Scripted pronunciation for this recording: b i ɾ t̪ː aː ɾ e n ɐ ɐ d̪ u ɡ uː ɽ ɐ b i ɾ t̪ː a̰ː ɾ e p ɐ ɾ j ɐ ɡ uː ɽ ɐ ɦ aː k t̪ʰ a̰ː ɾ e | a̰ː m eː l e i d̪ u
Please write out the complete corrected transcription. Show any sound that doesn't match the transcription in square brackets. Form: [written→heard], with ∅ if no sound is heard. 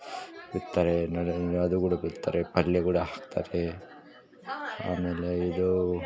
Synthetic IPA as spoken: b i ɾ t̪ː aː ɾ e n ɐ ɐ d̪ u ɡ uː ɽ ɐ b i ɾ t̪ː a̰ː ɾ e p ɐ [ɾ→l] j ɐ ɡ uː ɽ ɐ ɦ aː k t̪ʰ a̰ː ɾ e | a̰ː m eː l e i d̪ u